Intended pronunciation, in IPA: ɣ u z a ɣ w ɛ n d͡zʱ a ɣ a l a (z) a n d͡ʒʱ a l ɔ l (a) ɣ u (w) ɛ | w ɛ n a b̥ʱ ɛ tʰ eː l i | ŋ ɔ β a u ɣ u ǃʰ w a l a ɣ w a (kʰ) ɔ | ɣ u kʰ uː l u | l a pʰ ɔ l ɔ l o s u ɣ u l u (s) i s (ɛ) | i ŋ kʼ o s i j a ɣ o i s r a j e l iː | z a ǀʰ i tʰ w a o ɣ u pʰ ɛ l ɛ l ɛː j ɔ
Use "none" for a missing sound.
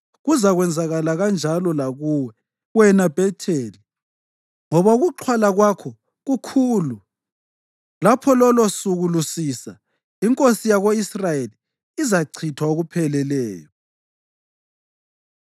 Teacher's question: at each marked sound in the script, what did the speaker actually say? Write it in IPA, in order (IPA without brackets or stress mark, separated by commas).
ɣ, a, w, kʰ, s, a